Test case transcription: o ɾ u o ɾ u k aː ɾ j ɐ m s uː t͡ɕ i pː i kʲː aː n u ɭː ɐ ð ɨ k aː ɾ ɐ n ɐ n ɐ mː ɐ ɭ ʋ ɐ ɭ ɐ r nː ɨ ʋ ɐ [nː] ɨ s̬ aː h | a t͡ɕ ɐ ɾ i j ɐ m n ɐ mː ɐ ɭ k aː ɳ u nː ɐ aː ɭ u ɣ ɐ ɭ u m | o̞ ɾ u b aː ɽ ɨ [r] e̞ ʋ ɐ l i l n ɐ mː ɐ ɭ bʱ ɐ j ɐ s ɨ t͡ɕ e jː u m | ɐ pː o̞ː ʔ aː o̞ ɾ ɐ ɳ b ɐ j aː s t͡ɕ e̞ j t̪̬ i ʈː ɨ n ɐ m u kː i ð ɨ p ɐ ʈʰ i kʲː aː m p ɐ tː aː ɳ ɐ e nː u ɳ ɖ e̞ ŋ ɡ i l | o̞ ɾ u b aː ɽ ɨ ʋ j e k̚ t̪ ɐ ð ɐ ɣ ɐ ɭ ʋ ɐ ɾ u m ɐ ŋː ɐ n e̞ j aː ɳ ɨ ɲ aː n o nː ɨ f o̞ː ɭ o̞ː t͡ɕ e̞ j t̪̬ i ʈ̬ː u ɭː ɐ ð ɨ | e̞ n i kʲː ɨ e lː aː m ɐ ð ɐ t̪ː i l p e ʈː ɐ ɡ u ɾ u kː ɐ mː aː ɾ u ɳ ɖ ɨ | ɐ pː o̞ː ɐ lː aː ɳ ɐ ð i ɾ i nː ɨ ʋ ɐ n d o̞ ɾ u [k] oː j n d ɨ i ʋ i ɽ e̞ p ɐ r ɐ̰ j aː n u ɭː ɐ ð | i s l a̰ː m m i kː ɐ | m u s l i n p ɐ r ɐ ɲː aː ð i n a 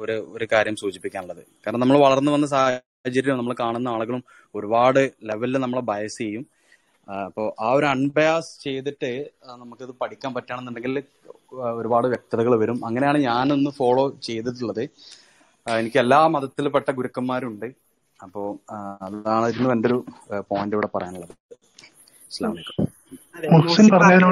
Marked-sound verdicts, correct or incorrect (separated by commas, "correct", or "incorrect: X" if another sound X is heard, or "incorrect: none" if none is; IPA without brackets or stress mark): correct, incorrect: l, incorrect: p